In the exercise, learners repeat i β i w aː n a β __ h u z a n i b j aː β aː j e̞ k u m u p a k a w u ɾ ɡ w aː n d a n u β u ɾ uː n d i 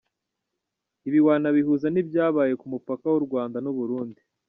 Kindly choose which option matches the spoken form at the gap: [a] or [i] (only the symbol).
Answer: i